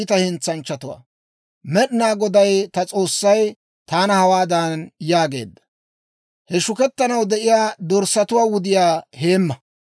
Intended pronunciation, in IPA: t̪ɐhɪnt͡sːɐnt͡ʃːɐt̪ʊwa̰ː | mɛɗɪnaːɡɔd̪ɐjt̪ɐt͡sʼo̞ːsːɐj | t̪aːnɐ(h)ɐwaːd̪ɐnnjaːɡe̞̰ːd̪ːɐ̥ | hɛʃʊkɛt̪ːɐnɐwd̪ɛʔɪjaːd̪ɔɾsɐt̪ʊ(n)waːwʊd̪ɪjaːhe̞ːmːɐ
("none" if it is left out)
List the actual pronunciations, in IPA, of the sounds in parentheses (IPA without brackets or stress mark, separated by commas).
h, none